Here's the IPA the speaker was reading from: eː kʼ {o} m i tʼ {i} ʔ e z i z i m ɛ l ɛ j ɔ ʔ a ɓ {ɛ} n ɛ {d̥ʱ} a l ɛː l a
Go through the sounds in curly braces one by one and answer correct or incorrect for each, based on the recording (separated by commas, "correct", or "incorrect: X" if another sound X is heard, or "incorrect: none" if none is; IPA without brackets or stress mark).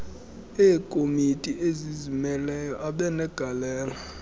correct, correct, correct, incorrect: ɡ̥ʱ